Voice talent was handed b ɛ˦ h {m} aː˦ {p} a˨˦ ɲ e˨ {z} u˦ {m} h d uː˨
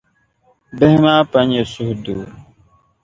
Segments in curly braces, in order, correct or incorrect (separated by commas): correct, correct, incorrect, incorrect